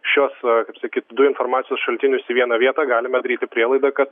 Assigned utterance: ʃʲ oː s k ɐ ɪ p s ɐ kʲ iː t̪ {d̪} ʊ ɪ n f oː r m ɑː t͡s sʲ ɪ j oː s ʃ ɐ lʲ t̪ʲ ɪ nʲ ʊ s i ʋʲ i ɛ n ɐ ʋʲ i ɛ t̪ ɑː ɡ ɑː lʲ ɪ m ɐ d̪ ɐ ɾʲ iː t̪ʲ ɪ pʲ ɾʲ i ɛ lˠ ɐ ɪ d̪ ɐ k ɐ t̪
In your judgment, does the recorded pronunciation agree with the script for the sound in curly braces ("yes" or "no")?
yes